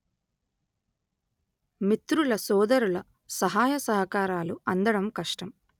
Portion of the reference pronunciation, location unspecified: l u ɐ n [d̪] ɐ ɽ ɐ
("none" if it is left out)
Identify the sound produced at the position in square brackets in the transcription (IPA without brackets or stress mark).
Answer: d̪